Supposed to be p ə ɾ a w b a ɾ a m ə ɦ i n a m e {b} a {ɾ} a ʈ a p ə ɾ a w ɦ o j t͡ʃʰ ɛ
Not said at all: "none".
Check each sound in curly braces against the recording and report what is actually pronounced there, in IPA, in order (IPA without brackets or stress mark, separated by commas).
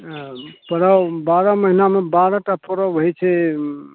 b, ɾ